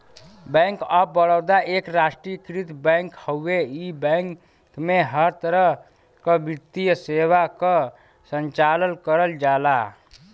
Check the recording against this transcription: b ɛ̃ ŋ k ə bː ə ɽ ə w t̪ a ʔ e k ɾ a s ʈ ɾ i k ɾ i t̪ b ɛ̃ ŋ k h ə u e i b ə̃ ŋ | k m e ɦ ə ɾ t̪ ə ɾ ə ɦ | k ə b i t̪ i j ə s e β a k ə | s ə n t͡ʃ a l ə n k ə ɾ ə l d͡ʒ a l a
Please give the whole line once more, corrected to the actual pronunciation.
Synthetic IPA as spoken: b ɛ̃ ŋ k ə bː ə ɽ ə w d̪ a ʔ e k ɾ a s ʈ ɾ i k ɾ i t̪ b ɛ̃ ŋ k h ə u e i b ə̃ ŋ | k m e ɦ ə ɾ t̪ ə ɾ ə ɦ | k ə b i t̪ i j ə s e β a k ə | s ə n t͡ʃ a l ə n k ə ɾ ə l d͡ʒ a l a